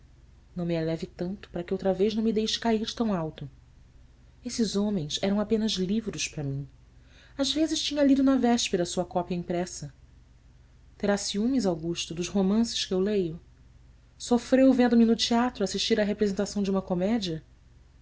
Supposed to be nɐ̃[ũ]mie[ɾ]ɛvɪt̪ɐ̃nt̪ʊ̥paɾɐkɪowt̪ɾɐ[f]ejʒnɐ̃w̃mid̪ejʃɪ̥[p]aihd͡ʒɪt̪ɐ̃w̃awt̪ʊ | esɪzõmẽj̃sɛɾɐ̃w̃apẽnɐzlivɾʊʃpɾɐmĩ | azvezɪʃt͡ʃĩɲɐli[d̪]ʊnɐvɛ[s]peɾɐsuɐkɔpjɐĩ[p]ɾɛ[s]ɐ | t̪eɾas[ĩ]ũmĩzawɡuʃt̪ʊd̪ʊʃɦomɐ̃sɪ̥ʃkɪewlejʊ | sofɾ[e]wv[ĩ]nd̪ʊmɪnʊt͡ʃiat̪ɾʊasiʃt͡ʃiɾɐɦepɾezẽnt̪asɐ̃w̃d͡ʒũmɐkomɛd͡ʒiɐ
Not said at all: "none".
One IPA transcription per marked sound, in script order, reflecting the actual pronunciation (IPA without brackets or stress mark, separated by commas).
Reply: w̃, l, v, k, d̪, ʃ, p, s, i, e, ẽ